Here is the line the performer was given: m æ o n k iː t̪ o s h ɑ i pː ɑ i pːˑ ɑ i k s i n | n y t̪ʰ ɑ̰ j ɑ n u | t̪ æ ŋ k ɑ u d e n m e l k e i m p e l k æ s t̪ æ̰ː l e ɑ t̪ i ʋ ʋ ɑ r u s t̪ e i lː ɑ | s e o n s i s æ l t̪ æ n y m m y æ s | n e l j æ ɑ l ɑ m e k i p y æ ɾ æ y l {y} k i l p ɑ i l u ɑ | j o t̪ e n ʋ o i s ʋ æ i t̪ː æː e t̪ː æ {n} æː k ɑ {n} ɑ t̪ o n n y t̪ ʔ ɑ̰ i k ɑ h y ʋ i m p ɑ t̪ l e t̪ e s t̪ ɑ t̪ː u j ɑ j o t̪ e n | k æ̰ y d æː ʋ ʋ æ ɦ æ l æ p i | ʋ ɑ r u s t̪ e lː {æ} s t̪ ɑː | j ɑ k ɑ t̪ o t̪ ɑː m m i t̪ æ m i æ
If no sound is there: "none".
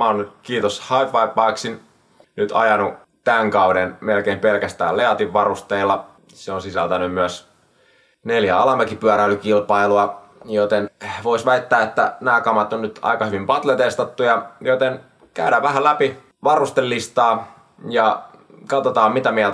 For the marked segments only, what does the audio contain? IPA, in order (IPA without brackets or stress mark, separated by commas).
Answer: y, n, m, i